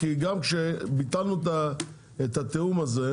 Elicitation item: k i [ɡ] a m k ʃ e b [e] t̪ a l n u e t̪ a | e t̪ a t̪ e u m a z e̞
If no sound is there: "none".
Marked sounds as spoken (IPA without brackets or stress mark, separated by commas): ɡ, i